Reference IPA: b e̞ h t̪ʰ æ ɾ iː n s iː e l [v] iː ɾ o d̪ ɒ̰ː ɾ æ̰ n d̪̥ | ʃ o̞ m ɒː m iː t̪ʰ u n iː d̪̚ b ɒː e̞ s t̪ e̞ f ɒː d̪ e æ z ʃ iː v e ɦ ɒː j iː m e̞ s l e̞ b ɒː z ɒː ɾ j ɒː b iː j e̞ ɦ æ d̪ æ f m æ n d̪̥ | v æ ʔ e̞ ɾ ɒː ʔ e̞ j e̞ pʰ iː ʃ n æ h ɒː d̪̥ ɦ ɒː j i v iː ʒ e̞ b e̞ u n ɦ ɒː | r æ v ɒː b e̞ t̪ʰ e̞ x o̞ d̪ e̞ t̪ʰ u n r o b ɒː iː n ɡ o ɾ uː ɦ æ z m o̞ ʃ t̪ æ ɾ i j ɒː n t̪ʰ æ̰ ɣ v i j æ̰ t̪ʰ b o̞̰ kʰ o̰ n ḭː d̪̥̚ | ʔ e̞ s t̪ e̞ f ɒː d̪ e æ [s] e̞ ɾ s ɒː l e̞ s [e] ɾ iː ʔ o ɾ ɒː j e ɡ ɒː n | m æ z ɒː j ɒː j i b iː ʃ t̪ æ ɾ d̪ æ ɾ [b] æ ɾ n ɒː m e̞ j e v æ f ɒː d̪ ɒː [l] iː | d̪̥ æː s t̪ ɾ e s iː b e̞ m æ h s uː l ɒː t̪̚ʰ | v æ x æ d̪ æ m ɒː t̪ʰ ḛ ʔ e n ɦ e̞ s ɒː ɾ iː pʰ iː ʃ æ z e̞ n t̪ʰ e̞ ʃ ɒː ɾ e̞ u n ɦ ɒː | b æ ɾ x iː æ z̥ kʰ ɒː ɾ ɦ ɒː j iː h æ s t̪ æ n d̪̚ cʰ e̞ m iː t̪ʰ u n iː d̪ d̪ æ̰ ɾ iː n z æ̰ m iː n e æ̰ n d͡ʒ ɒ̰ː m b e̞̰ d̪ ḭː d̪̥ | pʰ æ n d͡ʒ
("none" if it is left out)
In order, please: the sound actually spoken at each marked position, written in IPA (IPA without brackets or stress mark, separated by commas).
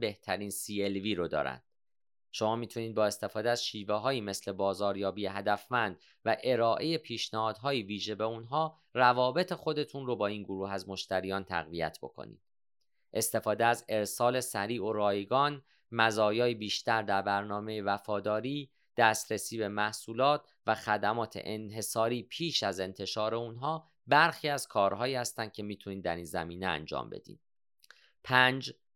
v, z, æ, b, ɾ